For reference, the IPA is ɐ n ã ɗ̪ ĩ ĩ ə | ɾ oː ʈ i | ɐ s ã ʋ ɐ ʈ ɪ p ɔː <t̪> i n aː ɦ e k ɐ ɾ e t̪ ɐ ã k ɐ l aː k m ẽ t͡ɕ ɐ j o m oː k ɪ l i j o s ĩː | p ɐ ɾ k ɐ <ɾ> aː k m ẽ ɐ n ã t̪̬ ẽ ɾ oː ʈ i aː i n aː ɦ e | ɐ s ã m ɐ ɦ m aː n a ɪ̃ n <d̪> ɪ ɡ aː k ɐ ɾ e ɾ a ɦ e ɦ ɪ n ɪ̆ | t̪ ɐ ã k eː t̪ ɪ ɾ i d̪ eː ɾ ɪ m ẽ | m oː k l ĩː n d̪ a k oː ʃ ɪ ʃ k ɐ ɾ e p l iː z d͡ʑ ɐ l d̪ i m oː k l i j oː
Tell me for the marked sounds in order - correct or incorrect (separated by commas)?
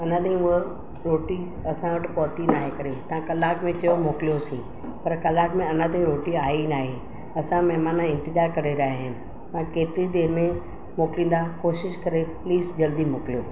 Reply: correct, incorrect, incorrect